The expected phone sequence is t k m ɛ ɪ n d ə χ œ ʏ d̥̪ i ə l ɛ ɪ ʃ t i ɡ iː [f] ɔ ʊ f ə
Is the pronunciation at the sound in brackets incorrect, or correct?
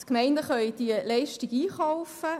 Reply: incorrect